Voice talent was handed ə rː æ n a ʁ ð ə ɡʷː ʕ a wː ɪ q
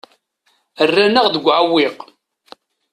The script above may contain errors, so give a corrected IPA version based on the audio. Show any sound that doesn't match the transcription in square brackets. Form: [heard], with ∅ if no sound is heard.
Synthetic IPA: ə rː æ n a ʁ ð ə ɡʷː ʕ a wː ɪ q